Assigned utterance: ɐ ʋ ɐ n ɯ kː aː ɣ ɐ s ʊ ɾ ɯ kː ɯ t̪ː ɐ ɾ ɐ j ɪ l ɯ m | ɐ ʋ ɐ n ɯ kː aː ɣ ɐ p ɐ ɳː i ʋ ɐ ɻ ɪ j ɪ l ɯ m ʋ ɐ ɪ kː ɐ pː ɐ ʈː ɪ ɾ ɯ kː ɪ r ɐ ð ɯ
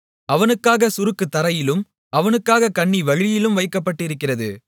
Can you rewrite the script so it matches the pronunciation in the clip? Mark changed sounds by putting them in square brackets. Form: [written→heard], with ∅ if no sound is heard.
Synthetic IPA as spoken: ɐ ʋ ɐ n ɯ kː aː ɣ ɐ s ʊ ɾ ɯ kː ɯ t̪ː ɐ ɾ ɐ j ɪ l ɯ m | ɐ ʋ ɐ n ɯ kː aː ɣ ɐ [p→k] ɐ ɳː i ʋ ɐ ɻ ɪ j ɪ l ɯ m ʋ ɐ ɪ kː ɐ pː ɐ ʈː ɪ ɾ ɯ kː ɪ r ɐ ð ɯ

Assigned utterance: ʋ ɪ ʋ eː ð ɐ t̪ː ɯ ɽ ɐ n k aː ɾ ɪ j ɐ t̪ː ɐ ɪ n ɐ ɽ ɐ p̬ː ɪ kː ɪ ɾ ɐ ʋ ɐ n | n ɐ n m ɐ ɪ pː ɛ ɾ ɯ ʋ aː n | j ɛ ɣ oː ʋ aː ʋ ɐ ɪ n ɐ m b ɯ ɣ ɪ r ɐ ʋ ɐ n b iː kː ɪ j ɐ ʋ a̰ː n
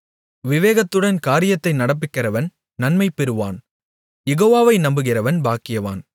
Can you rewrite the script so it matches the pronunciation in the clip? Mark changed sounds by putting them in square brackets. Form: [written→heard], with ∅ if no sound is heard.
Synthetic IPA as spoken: ʋ ɪ ʋ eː [ð→ɣ] ɐ t̪ː ɯ ɽ ɐ n k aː ɾ ɪ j ɐ t̪ː ɐ ɪ n ɐ ɽ ɐ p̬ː ɪ kː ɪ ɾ ɐ ʋ ɐ n | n ɐ n m ɐ ɪ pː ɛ ɾ ɯ ʋ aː n | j ɛ ɣ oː ʋ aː ʋ ɐ ɪ n ɐ m b ɯ ɣ ɪ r ɐ ʋ ɐ n b [iː→aː] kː ɪ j ɐ ʋ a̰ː n

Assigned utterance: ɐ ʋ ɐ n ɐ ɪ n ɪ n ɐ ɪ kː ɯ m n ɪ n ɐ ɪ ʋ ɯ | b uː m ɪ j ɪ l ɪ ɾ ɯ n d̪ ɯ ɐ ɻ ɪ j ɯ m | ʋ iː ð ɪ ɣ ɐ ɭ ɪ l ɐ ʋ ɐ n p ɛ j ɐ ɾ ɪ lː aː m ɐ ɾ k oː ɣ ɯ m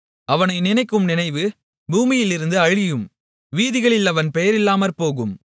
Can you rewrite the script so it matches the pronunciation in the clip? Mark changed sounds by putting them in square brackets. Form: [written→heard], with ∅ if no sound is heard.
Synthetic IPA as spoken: ɐ ʋ ɐ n ɐ ɪ n ɪ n ɐ ɪ kː ɯ m n ɪ n ɐ ɪ ʋ ɯ | b uː m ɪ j ɪ l ɪ ɾ ɯ n d̪ ɯ ɐ ɻ ɪ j ɯ m | ʋ iː ð ɪ ɣ ɐ ɭ ɪ l ɐ ʋ ɐ n p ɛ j ɐ ɾ ɪ lː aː m ɐ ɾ [k→p] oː ɣ ɯ m

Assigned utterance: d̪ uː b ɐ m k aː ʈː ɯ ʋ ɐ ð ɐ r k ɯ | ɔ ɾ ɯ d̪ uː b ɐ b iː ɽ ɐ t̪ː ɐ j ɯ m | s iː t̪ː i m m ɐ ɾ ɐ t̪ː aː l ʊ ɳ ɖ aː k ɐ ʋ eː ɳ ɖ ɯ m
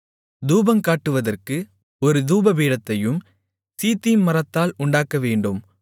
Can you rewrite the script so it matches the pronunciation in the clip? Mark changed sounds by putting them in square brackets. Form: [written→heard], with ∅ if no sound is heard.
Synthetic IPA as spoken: d̪ uː b ɐ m k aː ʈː ɯ ʋ ɐ ð ɐ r k ɯ | ɔ ɾ ɯ d̪ uː b ɐ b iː ɽ ɐ t̪ː ɐ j ɯ m | s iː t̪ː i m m ɐ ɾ ɐ t̪ː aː l ʊ ɳ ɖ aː k ɐ ʋ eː ɳ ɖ ɯ m

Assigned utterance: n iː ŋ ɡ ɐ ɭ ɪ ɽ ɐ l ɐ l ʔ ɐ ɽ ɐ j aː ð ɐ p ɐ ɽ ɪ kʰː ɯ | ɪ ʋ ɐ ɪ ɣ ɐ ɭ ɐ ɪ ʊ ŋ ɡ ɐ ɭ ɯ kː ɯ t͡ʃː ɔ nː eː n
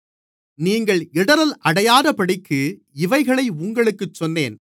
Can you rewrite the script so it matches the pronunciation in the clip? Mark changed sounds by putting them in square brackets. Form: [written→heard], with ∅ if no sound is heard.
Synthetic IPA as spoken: n iː ŋ ɡ ɐ ɭ ɪ ɽ ɐ [l→ɾ] ɐ l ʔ ɐ ɽ ɐ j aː ð ɐ p ɐ ɽ ɪ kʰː ɯ | ɪ ʋ ɐ ɪ ɣ ɐ ɭ ɐ ɪ ʊ ŋ ɡ ɐ ɭ ɯ kː ɯ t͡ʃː ɔ nː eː n

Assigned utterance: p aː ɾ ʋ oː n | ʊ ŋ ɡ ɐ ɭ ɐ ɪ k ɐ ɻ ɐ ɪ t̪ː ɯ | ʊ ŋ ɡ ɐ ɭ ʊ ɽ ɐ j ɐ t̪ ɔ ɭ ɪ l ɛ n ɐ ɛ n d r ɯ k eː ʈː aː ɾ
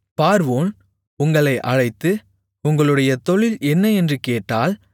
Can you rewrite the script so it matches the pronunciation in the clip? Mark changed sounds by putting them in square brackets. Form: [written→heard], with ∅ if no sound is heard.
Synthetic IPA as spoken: p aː ɾ ʋ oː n | ʊ ŋ ɡ ɐ ɭ ɐ ɪ [k→ʔ] ɐ ɻ ɐ ɪ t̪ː ɯ | ʊ ŋ ɡ ɐ ɭ [ʊ→ɯ] ɽ ɐ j ɐ t̪ ɔ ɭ ɪ l ɛ [n→nː] ɐ ɛ n d r ɯ k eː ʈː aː [ɾ→l]

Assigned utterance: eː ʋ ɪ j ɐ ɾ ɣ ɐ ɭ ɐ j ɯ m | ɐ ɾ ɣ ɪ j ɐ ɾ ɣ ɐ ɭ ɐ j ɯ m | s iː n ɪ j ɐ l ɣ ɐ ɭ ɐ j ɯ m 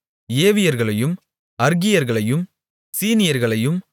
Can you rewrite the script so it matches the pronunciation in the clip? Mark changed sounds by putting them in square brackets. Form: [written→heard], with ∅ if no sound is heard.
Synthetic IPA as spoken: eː ʋ ɪ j ɐ ɾ ɣ ɐ ɭ ɐ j ɯ m | ɐ ɾ ɣ ɪ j ɐ ɾ ɣ ɐ ɭ ɐ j ɯ m | s iː n ɪ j ɐ [l→ɾ] ɣ ɐ ɭ ɐ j ɯ m

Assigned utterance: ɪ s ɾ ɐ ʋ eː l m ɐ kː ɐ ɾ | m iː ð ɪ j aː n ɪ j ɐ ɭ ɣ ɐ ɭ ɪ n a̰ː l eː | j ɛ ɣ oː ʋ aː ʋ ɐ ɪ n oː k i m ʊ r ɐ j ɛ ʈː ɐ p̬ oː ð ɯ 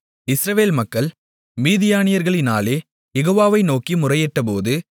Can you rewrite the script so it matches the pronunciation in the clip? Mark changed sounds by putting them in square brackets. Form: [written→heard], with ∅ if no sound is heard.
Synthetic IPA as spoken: ɪ s ɾ ɐ ʋ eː l m ɐ kː ɐ [ɾ→ɭ] | m iː ð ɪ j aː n ɪ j ɐ [ɭ→ɾ] ɣ ɐ ɭ ɪ n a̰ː l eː | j ɛ ɣ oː ʋ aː ʋ ɐ ɪ n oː k i m ʊ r ɐ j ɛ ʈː ɐ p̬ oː ð ɯ

